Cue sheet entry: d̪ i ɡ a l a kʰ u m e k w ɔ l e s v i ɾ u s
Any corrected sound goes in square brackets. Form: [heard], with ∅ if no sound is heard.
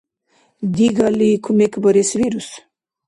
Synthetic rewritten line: d̪ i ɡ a l [i] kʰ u m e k [b] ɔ [ɾ] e s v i ɾ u s